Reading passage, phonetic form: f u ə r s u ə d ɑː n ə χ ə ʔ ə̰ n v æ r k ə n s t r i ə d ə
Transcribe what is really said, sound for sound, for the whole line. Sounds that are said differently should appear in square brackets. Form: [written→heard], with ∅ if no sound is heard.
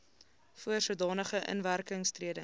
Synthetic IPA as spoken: f u ə r s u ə d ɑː n ə χ ə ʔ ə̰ n v æ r k ə [n→ŋ] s t r i ə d ə